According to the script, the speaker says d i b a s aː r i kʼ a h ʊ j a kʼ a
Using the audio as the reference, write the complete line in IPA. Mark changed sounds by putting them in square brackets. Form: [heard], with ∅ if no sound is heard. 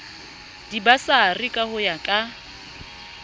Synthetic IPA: d i b a s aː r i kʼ a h ʊ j a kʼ a